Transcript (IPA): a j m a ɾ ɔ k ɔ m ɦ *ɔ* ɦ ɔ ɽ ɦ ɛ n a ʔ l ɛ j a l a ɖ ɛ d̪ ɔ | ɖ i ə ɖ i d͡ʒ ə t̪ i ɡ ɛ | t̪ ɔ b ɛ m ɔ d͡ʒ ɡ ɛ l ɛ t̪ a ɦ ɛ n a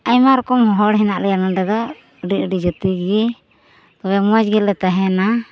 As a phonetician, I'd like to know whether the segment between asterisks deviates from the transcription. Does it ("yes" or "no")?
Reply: no